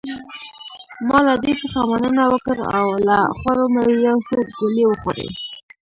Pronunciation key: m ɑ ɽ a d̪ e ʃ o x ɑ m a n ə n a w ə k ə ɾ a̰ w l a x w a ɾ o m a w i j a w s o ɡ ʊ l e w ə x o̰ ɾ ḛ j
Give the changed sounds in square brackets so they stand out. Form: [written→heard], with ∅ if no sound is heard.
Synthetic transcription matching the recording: m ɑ [ɽ→l] a d̪ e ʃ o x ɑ m a n ə n a w ə k ə ɾ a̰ w l a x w a ɾ o m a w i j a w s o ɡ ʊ l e w ə x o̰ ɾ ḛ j